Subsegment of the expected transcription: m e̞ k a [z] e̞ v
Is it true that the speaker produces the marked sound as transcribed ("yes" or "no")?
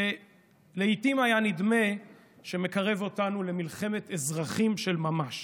no